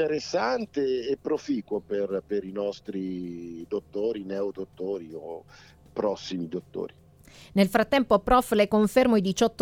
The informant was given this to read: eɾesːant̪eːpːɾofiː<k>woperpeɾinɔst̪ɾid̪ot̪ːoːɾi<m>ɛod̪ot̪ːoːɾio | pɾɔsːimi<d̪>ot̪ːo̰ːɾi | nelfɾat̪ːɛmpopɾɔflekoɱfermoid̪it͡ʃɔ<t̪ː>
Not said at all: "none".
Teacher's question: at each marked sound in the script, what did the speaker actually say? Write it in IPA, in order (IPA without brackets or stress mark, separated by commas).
k, n, d̪, t̪ː